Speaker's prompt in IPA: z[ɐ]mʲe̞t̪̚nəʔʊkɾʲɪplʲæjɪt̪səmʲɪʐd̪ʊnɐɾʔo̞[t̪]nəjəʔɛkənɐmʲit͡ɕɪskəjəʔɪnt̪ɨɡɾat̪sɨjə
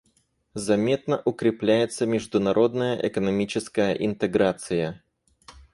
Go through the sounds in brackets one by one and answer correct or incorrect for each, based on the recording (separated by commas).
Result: correct, incorrect